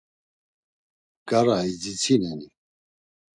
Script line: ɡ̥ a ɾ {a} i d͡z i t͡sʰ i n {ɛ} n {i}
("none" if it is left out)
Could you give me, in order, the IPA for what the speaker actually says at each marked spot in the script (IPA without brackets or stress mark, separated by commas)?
a, ɛ, i